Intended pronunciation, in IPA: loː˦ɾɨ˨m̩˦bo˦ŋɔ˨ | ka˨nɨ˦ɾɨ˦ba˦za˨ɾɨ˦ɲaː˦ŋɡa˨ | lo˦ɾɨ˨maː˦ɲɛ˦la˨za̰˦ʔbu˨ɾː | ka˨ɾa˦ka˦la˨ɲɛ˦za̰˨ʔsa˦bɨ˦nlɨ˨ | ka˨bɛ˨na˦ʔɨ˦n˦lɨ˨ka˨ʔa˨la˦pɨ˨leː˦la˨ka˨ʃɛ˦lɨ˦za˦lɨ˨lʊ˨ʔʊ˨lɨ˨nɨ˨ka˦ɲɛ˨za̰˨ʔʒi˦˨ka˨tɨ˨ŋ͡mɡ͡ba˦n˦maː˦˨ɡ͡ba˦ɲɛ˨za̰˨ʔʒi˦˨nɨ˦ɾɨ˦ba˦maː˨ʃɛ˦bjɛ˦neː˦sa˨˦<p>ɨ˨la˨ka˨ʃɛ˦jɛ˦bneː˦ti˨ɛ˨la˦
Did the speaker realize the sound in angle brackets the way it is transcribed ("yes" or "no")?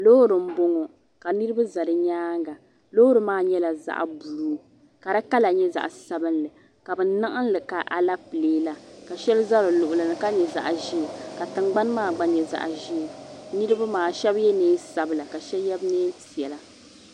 no